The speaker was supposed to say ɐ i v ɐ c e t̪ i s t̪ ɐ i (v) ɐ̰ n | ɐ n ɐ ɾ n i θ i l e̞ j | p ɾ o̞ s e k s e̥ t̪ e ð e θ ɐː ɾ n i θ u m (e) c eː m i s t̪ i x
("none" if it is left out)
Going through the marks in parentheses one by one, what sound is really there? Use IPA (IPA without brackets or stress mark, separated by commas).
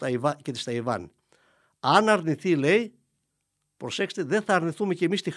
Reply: v, e